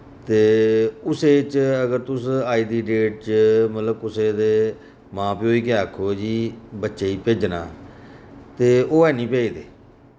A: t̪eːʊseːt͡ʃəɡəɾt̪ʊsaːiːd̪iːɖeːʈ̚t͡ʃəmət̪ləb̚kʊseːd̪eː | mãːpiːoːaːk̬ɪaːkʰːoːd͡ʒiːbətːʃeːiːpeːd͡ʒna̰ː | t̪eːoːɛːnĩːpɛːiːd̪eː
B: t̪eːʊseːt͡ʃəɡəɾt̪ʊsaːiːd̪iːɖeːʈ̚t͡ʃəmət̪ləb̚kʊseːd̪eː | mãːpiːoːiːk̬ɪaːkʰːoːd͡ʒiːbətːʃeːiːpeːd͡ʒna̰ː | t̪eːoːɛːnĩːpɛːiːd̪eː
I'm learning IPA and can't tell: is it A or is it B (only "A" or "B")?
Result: B